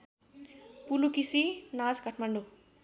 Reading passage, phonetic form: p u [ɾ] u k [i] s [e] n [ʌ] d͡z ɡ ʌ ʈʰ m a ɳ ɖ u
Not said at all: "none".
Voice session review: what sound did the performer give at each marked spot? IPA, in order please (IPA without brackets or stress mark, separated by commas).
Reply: l, i, i, a